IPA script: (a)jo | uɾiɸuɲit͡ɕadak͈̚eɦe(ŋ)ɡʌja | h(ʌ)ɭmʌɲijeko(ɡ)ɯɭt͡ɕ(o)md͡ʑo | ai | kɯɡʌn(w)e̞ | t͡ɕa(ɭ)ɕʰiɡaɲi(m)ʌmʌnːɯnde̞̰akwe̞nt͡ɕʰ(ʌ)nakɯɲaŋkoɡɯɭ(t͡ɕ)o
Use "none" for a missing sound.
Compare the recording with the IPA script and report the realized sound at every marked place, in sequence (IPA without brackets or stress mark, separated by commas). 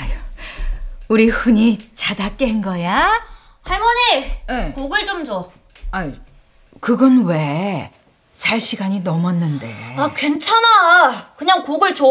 a, n, a, ɡ, o, w, ɭ, n, a, t͡ɕ